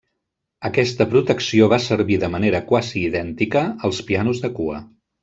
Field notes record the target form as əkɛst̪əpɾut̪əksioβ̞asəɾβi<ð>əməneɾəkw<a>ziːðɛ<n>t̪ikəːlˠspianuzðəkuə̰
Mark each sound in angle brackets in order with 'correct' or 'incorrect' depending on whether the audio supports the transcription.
correct, correct, correct

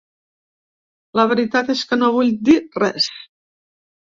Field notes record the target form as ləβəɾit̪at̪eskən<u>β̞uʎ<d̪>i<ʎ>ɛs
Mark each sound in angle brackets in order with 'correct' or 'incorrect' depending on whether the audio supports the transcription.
incorrect: o, correct, incorrect: r

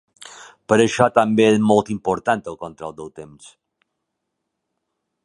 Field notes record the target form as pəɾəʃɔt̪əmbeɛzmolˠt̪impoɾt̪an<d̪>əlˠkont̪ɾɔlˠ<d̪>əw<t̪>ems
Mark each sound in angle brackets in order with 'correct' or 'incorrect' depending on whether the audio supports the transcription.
incorrect: t̪, correct, correct

